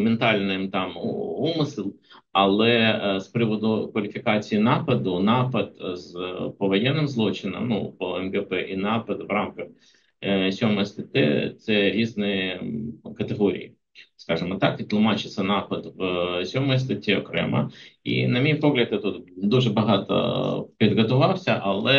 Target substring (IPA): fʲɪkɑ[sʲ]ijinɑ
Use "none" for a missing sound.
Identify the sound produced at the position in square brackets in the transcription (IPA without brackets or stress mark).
t͡sʲ